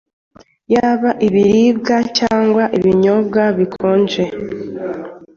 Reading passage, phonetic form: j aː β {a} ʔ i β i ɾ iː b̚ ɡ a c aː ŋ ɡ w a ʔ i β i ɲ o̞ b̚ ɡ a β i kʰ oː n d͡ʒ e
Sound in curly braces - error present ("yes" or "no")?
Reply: no